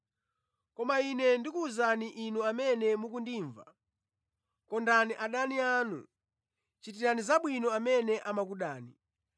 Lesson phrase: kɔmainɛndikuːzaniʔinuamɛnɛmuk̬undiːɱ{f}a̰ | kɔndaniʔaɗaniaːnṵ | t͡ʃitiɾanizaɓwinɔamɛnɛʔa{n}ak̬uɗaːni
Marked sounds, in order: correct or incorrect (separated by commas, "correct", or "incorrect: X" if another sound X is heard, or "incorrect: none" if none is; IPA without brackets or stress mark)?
incorrect: v, incorrect: m